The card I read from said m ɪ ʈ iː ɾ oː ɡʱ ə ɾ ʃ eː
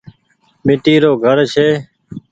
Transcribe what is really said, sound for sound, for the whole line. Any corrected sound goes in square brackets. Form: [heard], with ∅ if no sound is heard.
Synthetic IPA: m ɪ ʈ iː ɾ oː ɡʱ ə ɾ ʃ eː